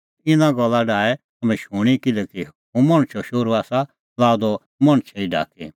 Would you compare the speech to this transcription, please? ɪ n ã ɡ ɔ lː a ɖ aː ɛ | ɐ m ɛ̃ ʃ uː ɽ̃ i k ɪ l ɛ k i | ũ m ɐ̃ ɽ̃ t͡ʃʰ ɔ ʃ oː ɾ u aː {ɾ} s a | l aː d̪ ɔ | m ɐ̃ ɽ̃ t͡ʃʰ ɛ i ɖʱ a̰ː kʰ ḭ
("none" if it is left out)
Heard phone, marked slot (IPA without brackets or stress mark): none